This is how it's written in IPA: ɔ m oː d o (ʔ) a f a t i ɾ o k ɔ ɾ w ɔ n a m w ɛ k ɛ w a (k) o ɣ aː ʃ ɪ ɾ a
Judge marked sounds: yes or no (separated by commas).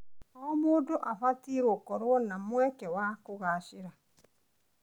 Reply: yes, yes